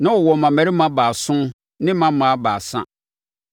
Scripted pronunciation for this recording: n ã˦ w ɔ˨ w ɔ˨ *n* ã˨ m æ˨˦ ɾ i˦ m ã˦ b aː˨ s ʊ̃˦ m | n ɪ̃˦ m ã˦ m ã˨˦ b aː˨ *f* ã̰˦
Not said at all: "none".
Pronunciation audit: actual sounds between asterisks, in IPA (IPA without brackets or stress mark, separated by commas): m, s